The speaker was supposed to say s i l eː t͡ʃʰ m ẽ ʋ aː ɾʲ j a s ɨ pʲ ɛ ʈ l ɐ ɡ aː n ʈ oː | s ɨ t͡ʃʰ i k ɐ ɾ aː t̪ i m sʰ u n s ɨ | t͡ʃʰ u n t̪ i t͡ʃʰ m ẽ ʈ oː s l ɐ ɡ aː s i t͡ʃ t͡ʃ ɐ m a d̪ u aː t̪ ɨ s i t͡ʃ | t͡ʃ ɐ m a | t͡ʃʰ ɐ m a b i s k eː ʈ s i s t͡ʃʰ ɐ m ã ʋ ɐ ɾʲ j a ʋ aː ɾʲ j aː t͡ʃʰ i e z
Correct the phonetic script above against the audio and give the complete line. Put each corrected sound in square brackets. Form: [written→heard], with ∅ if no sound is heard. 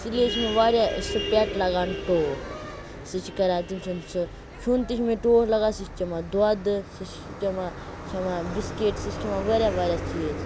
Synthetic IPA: s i l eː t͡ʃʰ m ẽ ʋ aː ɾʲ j a s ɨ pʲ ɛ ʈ l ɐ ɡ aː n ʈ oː | s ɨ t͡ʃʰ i k ɐ ɾ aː t̪ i m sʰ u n s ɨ | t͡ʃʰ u n t̪ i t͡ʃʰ m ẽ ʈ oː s l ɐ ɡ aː s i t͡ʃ t͡ʃ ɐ m a d̪ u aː [t̪→d̪] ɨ s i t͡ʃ | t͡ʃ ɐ m a | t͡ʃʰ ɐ m a b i s k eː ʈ s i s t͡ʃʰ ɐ m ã ʋ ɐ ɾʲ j a ʋ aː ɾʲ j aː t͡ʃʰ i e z

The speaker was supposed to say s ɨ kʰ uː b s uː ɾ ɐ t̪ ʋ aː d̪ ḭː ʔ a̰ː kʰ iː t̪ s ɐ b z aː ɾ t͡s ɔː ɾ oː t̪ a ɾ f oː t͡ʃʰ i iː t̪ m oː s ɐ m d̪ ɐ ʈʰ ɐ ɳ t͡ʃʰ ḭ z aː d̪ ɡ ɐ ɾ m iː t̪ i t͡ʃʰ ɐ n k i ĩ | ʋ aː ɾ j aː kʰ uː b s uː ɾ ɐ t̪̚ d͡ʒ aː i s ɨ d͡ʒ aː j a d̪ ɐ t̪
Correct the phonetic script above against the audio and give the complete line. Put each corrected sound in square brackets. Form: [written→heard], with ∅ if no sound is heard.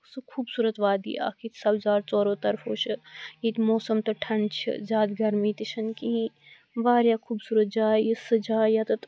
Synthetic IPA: s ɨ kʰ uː b s uː ɾ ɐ t̪ ʋ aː d̪ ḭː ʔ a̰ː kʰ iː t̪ s ɐ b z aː ɾ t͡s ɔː ɾ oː t̪ [a→ɐ] ɾ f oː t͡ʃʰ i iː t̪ m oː s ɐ m [d̪→t̪] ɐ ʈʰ ɐ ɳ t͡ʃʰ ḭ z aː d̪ ɡ ɐ ɾ m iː t̪ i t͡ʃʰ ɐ n k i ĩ | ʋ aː ɾ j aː kʰ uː b s uː ɾ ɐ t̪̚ d͡ʒ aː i s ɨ d͡ʒ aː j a [d̪→t̪] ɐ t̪

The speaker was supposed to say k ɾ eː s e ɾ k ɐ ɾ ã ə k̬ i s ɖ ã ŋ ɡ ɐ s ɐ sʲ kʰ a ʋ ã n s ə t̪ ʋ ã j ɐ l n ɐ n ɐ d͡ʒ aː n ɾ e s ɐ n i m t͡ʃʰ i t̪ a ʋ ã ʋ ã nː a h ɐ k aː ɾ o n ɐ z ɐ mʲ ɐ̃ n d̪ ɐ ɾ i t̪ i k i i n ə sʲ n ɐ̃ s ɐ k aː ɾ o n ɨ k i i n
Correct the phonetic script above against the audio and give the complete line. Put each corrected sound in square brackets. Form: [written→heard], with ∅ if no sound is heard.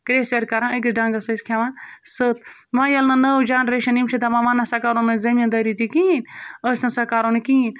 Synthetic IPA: k ɾ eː s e ɾ k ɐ ɾ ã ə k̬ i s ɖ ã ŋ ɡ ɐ s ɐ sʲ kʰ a ʋ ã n s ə t̪ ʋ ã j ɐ l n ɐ n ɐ d͡ʒ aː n ɾ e [s→ʃ] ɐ n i m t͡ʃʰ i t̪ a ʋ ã ʋ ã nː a [h→s] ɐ k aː ɾ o n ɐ z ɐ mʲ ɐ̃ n d̪ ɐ ɾ i t̪ i k i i n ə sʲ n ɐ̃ s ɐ k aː ɾ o n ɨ k i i n

